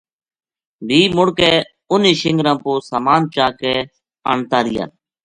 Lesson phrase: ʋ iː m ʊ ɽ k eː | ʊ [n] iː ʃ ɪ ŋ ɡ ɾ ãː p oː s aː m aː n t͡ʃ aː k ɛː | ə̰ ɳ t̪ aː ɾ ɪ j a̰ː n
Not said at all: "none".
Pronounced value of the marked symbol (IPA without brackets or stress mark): n